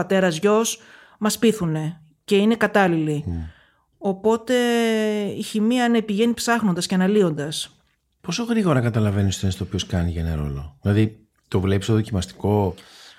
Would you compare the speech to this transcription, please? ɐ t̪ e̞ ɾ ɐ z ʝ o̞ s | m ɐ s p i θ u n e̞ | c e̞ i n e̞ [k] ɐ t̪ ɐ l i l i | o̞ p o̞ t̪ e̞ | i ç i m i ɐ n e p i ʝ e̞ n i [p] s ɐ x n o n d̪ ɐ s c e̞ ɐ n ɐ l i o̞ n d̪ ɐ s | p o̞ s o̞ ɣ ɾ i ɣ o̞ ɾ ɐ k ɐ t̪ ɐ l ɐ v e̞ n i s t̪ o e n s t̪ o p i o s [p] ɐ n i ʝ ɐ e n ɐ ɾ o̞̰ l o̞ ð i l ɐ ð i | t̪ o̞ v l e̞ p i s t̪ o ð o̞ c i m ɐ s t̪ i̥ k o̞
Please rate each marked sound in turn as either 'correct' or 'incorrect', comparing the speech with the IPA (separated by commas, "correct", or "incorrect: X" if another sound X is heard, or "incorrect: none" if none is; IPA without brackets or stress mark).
correct, correct, incorrect: k